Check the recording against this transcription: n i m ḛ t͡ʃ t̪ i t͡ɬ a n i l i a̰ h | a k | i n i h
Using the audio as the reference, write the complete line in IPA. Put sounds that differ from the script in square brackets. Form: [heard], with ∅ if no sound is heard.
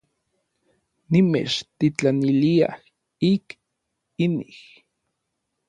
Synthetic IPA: n i m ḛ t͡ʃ t̪ i t͡ɬ a n i l i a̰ h | [i] k | i n i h

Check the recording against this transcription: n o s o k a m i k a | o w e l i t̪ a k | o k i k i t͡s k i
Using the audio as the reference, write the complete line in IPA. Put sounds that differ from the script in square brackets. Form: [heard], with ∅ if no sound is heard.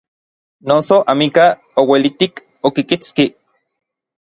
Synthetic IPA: n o s o [ʔ] a m i k a | o w e l i t̪ [i] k | o k i k i t͡s k i

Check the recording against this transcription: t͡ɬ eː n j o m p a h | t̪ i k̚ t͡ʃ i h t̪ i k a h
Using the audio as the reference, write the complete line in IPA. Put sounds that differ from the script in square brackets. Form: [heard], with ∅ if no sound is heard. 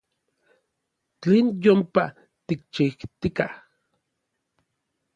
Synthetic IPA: t͡ɬ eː n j o m p a [∅] | t̪ i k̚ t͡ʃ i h t̪ i k a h

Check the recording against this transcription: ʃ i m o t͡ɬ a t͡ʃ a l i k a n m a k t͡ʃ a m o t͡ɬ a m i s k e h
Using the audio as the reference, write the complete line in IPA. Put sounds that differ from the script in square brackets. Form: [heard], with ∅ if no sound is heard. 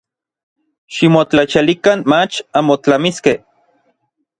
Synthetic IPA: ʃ i m o t͡ɬ a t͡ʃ a l i k a n m a [∅] t͡ʃ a m o t͡ɬ a m i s k e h

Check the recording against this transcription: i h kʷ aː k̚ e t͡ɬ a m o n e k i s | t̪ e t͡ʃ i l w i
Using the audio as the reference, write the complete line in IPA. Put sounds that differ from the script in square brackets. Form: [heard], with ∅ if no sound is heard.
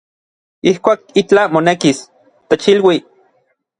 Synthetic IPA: i h kʷ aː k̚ [i] t͡ɬ a m o n e k i s | t̪ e t͡ʃ i l w i

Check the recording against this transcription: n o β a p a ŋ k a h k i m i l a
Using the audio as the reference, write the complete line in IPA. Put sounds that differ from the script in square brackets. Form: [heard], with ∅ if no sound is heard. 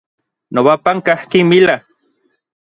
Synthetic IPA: n o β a p a ŋ k a h k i m i l a

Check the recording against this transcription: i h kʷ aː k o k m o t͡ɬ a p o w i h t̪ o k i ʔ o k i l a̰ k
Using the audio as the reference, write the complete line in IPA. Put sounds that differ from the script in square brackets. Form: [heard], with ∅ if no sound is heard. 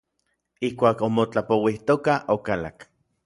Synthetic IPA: i h kʷ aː k o [∅] m o t͡ɬ a p o w i h t̪ o k [a] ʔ o k [a] l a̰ k

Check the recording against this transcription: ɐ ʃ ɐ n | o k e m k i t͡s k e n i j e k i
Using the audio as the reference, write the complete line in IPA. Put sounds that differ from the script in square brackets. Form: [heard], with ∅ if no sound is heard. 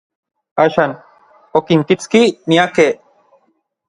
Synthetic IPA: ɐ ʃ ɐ n | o k [i] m k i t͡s k [i] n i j [a] k [e]

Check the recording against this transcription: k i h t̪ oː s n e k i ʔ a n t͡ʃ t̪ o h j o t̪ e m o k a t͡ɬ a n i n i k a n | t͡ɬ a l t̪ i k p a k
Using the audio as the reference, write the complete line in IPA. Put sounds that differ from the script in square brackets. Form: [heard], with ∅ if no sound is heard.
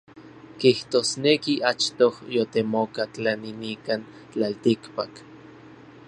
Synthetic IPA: k i h t̪ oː s n e k i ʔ a [∅] t͡ʃ t̪ o h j o t̪ e m o k a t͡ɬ a n i n i k a n | t͡ɬ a l t̪ i k p a k

